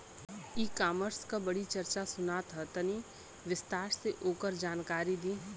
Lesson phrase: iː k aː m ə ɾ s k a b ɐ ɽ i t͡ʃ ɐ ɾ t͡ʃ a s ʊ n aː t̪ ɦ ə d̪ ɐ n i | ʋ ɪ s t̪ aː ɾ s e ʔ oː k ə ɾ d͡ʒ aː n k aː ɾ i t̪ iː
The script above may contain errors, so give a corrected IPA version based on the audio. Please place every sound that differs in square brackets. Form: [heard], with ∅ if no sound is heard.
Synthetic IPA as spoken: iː k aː m ə ɾ s k a b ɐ ɽ i t͡ʃ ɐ ɾ t͡ʃ a s ʊ n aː t̪ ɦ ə [t̪] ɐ n i | ʋ ɪ s t̪ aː ɾ s e ʔ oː k ə ɾ d͡ʒ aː n k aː ɾ i [d̪] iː